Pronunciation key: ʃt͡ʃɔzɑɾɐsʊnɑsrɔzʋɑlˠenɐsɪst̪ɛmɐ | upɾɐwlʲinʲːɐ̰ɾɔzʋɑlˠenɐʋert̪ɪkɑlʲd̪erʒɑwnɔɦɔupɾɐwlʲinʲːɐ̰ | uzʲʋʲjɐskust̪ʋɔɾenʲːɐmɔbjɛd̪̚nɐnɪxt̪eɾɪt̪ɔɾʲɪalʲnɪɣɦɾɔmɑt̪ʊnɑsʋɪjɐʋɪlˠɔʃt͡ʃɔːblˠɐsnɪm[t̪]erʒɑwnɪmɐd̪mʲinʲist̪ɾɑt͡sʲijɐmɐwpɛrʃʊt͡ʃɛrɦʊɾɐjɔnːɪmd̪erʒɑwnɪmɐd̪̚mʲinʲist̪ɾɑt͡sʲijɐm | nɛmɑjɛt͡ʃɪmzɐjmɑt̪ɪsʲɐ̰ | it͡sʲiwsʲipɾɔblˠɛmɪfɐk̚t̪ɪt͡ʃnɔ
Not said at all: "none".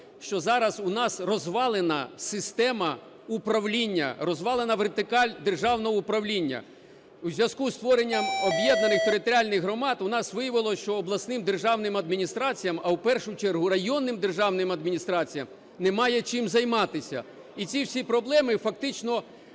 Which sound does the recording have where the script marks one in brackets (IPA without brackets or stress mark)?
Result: d̪